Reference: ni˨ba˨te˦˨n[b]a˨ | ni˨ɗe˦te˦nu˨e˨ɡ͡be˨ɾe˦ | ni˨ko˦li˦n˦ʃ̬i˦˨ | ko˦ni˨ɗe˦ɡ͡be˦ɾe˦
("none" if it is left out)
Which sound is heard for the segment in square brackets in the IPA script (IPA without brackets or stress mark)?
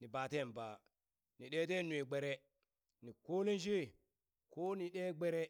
b